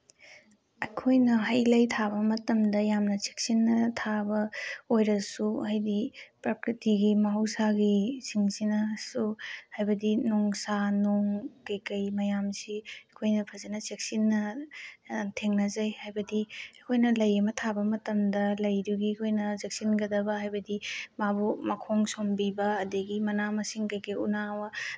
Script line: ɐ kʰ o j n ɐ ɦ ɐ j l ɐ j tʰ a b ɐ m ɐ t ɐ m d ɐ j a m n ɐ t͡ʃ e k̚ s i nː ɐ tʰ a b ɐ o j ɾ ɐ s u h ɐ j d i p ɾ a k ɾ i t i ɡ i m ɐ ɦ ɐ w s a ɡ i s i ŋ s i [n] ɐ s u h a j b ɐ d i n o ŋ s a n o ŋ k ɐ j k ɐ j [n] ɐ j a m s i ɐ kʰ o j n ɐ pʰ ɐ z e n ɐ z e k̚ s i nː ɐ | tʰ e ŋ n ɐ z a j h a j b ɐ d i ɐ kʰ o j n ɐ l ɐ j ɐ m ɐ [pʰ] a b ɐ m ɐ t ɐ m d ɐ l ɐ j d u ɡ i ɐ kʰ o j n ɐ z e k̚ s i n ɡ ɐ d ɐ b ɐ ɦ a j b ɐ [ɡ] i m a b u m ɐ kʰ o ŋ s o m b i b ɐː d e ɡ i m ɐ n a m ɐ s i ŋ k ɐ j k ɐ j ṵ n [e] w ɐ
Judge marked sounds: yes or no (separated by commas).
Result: yes, no, no, no, no